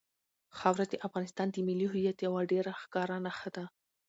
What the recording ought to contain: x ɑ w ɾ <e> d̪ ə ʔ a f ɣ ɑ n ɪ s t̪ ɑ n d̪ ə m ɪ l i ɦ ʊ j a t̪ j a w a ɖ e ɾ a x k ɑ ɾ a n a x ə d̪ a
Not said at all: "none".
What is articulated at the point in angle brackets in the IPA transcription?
a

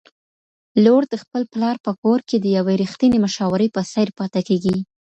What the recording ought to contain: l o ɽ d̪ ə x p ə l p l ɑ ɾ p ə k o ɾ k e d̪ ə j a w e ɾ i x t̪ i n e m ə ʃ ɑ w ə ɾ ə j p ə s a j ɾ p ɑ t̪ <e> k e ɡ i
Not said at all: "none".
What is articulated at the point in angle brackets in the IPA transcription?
a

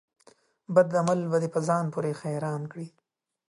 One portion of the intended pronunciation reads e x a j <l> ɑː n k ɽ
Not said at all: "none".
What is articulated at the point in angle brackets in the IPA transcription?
ɾ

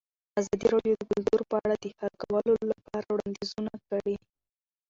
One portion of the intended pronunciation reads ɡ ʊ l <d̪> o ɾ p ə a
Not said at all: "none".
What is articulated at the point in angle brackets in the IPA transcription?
d̪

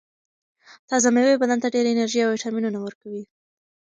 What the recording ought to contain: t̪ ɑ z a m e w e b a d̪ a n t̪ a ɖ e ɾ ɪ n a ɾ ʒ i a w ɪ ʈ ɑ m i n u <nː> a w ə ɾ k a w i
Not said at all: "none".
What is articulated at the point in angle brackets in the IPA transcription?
n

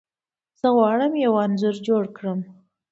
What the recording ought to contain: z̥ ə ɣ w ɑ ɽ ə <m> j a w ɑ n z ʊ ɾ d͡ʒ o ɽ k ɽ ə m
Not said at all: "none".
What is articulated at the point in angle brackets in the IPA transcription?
m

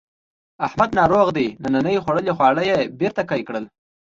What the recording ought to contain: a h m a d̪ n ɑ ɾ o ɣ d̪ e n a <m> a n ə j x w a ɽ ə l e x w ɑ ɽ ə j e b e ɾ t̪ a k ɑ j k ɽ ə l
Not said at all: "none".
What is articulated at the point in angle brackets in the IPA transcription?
n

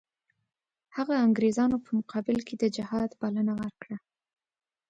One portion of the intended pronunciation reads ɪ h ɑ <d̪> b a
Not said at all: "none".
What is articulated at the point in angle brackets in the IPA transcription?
d̪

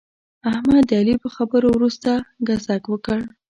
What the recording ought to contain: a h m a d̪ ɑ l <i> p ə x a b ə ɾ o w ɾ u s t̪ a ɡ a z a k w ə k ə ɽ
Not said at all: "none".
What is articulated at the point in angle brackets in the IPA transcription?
i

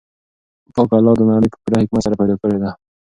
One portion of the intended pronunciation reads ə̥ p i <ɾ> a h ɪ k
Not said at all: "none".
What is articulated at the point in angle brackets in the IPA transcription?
ɾ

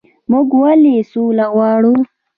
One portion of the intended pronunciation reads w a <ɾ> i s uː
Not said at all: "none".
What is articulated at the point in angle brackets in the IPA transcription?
l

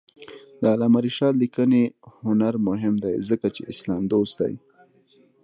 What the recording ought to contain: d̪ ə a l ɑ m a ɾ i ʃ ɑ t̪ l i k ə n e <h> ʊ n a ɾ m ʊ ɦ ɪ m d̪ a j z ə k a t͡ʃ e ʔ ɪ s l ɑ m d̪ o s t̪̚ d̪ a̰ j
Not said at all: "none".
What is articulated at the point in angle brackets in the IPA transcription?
h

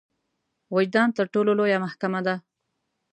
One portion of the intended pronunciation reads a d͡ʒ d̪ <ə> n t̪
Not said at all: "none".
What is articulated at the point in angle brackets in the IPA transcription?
ɑ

